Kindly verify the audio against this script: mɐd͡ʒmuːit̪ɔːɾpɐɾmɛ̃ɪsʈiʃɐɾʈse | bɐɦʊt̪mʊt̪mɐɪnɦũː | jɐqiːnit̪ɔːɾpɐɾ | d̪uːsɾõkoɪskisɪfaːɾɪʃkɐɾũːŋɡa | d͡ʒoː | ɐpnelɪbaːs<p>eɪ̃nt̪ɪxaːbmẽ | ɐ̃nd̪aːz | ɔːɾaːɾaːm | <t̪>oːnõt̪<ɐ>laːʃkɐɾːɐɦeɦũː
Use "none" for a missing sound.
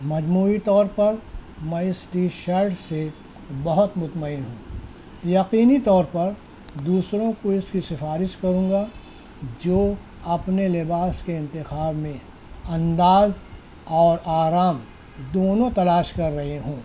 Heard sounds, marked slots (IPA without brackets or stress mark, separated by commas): k, d̪, ɐ